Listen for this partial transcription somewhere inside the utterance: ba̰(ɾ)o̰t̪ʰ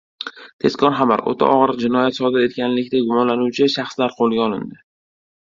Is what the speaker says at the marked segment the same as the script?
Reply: yes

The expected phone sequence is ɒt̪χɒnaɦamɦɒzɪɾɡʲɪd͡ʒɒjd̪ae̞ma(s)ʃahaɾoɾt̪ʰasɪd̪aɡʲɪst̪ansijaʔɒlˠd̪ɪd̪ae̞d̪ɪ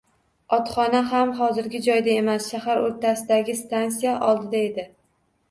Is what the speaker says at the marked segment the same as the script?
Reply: yes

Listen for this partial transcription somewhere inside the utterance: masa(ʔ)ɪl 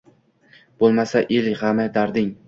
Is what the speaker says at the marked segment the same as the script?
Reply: yes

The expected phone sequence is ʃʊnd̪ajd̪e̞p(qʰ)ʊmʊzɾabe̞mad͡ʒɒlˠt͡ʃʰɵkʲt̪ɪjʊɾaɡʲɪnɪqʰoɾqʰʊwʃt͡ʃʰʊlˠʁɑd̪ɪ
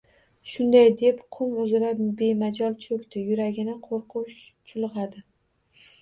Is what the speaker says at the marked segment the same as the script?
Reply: yes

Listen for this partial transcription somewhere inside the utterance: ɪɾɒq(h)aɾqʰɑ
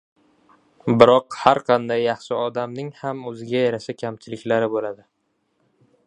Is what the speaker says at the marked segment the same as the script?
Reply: yes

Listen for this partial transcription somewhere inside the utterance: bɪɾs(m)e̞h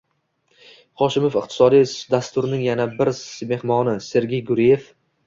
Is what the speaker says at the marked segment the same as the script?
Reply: yes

